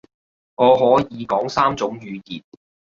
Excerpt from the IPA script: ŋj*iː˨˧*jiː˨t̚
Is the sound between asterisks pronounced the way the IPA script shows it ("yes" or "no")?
no